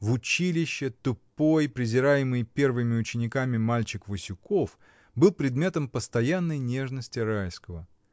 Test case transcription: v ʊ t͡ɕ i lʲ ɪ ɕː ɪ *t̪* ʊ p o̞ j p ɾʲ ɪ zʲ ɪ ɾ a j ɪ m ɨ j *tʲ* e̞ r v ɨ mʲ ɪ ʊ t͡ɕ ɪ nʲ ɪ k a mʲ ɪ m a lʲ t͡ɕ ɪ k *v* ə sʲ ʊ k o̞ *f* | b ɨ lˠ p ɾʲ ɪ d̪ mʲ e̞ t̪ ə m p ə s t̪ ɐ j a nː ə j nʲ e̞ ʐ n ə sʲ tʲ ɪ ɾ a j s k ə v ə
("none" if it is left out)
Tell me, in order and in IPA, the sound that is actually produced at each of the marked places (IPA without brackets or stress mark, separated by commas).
t̪, pʲ, v, f